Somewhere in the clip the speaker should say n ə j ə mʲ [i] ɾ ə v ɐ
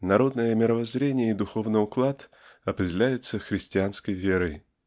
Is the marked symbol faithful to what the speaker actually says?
no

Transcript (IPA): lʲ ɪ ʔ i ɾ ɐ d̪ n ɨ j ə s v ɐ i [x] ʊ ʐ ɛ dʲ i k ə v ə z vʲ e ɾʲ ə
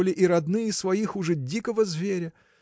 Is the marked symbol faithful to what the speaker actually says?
yes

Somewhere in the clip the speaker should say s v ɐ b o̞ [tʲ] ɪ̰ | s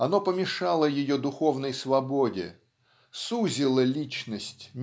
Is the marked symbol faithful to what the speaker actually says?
no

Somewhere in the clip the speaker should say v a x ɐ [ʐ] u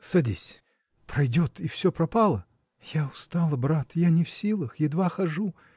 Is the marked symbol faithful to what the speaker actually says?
yes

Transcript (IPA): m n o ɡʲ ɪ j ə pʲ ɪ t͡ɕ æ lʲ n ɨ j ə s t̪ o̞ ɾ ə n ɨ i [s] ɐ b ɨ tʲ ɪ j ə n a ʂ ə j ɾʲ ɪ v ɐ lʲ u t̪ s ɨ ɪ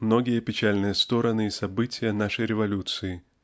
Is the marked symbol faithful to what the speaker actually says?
yes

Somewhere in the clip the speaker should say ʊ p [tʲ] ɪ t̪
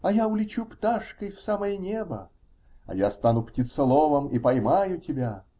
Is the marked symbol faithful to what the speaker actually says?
yes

